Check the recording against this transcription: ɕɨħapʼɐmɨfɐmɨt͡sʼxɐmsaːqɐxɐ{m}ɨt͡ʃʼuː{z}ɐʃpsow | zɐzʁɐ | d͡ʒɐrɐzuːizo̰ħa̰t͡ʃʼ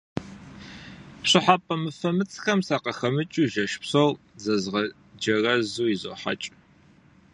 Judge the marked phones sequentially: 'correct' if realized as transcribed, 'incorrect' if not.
correct, incorrect: ʒ

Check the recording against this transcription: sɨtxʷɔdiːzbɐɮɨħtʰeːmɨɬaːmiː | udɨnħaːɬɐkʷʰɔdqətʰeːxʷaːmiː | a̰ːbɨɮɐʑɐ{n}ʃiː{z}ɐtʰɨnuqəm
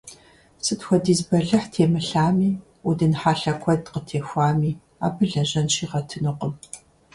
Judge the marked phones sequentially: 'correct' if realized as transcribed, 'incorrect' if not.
correct, incorrect: ʁ

